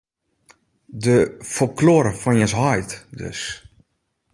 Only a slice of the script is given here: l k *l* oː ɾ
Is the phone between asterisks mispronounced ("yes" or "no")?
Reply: no